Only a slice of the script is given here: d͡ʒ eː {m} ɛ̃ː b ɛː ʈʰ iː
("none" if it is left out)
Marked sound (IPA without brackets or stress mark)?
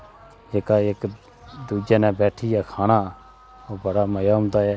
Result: n